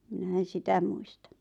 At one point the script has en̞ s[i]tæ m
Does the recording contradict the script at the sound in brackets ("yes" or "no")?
no